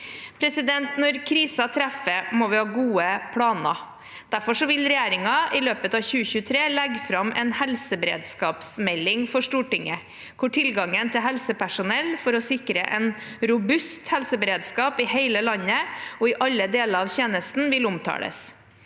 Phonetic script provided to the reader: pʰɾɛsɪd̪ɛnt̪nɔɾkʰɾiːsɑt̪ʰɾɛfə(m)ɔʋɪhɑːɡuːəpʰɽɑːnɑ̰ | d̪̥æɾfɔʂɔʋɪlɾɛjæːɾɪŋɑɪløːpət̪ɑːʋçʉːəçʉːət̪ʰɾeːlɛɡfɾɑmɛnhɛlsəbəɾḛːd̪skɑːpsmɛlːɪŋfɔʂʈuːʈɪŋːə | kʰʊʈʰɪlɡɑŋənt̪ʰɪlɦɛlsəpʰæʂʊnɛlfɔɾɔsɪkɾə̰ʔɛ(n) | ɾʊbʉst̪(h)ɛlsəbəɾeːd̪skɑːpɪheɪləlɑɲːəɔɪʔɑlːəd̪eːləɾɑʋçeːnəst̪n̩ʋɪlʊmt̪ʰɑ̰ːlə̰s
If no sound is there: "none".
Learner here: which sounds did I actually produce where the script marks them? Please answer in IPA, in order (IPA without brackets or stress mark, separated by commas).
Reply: m, n, h